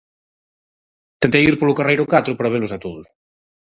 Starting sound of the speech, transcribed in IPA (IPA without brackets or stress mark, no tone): t̪